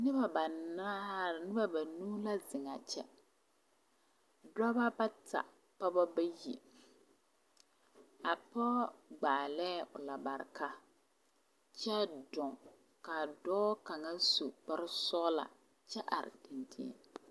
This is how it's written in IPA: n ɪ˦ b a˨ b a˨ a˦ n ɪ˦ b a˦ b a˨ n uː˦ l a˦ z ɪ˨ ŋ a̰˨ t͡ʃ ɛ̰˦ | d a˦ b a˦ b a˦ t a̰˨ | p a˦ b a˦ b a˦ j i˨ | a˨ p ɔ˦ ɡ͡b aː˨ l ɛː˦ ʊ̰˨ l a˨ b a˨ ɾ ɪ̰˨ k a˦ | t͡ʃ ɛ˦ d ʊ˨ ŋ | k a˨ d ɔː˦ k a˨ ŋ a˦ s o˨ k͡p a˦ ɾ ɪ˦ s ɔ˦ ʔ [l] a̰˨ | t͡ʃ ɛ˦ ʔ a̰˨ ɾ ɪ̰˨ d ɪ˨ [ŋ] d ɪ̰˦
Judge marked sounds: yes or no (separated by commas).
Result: yes, no